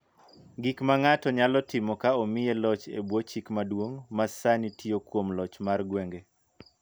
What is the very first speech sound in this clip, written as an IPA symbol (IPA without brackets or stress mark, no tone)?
ɡ